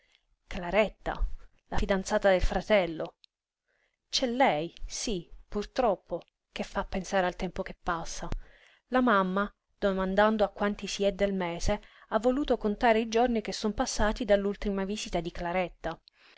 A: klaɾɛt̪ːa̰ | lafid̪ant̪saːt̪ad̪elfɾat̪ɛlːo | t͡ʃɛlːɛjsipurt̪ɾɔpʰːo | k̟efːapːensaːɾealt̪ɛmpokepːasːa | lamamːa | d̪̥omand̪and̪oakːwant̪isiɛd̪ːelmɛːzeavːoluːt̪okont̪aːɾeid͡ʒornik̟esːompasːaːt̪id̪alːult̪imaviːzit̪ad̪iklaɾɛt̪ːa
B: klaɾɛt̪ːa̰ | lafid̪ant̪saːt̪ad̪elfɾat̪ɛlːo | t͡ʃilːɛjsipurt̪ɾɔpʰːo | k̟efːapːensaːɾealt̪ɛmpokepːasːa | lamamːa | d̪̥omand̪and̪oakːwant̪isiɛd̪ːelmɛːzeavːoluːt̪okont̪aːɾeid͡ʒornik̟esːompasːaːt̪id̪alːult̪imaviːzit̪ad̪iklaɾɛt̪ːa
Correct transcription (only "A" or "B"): A